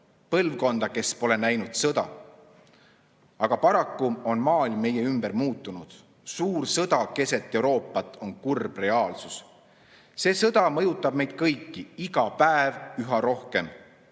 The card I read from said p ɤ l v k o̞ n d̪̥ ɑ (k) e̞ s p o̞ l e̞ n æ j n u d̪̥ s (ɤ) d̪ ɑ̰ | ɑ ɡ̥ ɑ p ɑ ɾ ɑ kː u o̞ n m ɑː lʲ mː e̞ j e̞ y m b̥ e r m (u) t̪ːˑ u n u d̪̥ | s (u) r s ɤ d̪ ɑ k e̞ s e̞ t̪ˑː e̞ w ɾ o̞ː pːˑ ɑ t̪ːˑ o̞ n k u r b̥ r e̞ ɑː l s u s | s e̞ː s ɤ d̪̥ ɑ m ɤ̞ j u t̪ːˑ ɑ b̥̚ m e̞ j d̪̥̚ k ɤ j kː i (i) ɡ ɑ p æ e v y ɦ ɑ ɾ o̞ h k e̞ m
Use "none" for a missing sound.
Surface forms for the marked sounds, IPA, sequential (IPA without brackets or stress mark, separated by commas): k, ɤ, uː, uː, i